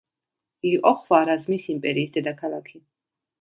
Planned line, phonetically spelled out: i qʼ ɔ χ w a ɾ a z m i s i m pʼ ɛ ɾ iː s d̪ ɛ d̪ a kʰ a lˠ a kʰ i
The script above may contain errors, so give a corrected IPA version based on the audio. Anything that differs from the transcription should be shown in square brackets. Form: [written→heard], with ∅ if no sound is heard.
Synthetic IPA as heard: i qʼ ɔ χ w a ɾ a z m i s i m pʼ ɛ ɾ iː s d̪ ɛ d̪ a kʰ a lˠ a kʰ i